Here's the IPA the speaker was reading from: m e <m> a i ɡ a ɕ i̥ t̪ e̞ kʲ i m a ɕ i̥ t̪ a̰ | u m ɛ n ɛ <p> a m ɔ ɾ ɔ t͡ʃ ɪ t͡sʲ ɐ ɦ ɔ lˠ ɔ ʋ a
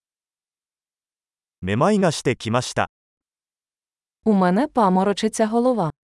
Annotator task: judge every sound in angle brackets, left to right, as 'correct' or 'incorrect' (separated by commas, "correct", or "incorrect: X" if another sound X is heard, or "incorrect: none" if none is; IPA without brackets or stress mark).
correct, correct